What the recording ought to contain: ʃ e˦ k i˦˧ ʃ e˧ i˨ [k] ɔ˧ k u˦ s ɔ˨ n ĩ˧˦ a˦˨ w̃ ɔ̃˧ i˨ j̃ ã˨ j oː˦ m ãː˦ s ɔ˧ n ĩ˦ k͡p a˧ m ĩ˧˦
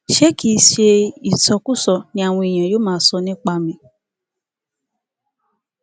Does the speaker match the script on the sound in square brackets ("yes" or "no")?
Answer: no